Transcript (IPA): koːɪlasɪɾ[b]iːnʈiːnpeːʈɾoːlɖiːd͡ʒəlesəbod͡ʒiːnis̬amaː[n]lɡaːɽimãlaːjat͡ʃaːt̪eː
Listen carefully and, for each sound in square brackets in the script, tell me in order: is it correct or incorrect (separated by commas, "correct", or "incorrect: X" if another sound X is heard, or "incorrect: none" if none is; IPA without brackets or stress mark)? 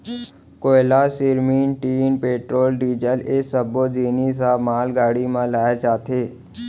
incorrect: m, incorrect: none